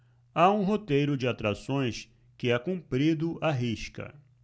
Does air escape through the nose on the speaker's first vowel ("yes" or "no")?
no